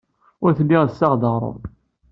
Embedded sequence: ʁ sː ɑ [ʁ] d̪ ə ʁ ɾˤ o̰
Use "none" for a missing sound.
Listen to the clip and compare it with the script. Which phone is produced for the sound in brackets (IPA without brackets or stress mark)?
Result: ʁ